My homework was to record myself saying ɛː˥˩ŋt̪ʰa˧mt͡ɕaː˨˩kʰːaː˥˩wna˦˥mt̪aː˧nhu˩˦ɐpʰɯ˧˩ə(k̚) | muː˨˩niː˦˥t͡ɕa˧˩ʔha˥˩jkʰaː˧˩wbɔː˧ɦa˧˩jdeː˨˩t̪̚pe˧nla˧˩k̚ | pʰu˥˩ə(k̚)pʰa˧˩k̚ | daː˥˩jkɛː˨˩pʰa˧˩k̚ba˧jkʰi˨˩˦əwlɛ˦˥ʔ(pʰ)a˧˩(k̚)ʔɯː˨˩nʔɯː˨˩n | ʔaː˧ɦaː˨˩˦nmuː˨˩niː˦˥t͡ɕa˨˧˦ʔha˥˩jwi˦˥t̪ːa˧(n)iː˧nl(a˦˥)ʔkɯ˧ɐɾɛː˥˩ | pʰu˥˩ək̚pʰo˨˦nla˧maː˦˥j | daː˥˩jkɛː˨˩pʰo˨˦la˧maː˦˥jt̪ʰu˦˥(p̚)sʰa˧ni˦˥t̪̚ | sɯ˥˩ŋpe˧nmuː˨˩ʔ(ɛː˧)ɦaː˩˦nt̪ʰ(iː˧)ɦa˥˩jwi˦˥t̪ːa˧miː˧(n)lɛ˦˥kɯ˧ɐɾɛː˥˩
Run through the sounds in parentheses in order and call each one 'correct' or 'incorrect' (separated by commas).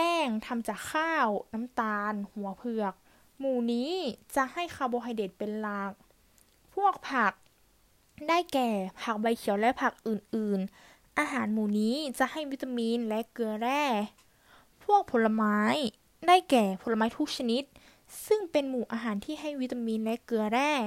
correct, correct, correct, correct, incorrect, incorrect, incorrect, incorrect, incorrect, correct